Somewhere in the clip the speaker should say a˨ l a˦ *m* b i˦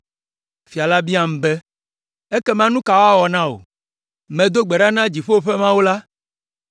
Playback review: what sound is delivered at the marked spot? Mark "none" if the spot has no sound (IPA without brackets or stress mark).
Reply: none